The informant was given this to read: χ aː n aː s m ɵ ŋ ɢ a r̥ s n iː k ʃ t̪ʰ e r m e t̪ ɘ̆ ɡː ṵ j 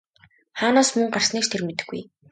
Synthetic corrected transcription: χ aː n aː s m ɵ ŋ ɢ a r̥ s n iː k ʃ t̪ʰ e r m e t̪ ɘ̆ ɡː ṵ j